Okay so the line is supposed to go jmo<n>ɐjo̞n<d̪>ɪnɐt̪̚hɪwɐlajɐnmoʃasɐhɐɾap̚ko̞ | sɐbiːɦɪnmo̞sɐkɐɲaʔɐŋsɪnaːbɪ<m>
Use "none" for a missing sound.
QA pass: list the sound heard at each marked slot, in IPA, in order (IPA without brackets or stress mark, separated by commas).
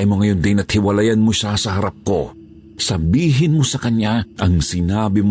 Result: ŋ, d̪, m